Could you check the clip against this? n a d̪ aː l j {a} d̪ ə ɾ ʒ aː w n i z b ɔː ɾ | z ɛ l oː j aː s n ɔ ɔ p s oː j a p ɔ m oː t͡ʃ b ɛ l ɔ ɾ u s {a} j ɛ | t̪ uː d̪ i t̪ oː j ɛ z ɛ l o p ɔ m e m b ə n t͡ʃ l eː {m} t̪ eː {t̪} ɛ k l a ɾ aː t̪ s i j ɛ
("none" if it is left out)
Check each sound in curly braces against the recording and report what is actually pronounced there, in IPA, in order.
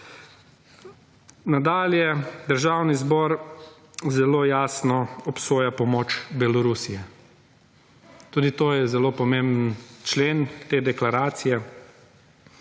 ɛ, i, n, d̪

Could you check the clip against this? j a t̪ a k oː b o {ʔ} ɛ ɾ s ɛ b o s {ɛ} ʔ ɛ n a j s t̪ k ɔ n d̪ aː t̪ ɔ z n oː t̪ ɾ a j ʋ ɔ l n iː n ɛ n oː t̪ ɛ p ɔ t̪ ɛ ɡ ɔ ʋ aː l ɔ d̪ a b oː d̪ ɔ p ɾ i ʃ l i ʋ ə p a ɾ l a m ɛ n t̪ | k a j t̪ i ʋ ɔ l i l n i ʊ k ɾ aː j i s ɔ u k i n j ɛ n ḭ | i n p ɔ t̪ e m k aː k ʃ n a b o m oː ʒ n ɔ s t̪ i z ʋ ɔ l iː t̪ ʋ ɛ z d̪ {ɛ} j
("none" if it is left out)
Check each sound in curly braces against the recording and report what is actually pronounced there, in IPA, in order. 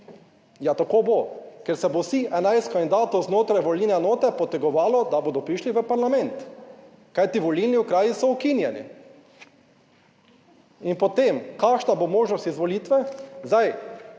k, i, a

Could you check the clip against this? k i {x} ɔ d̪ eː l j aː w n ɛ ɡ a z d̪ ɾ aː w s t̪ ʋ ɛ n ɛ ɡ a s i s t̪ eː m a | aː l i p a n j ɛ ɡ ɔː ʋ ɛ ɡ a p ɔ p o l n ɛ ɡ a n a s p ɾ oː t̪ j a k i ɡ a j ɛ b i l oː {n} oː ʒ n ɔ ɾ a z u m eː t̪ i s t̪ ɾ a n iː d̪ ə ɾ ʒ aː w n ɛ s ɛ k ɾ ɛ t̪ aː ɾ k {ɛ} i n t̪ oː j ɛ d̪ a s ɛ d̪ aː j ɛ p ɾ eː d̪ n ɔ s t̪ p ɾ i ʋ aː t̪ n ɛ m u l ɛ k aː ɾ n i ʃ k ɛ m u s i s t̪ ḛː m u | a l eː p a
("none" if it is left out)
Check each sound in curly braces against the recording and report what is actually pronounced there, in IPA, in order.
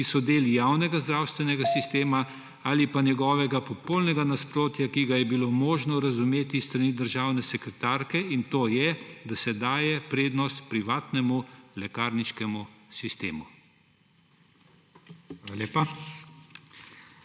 s, m, ɛ

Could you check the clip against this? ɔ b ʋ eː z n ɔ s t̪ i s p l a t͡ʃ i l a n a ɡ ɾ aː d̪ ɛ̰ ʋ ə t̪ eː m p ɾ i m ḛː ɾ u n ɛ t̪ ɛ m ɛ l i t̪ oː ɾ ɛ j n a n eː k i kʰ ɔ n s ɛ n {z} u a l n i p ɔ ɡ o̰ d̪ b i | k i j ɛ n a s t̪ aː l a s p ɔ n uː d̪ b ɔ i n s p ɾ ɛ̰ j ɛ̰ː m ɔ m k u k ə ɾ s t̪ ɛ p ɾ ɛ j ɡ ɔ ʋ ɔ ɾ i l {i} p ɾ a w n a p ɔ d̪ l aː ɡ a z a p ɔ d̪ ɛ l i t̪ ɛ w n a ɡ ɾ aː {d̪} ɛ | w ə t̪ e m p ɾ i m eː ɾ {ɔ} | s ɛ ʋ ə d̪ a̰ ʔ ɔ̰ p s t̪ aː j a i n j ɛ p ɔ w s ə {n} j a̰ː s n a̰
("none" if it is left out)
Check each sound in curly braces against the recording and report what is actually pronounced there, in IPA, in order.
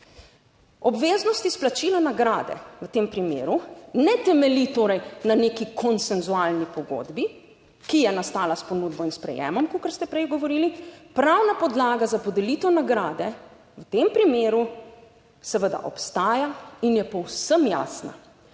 z, i, d̪, u, m

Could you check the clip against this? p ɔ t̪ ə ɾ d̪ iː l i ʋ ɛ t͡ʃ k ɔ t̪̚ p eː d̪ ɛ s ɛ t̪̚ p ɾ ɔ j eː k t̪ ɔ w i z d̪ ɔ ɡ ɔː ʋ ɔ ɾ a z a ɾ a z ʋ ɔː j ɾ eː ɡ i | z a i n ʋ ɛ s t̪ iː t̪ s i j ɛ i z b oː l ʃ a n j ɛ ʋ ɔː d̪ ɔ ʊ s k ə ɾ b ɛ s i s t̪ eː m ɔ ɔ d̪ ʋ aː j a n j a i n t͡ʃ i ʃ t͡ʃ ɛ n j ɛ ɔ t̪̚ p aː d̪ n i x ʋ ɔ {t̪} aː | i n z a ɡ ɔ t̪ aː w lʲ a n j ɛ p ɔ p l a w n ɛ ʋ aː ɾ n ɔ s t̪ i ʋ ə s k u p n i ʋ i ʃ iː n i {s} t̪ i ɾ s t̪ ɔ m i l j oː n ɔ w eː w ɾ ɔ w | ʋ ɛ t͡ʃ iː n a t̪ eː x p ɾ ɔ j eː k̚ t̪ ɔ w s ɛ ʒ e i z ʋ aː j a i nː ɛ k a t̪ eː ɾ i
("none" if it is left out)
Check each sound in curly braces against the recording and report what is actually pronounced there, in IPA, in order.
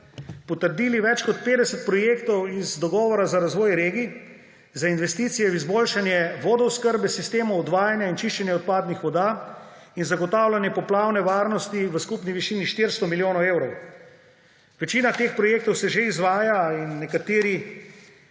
d̪, ʃ

